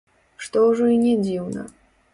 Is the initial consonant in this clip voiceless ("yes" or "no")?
yes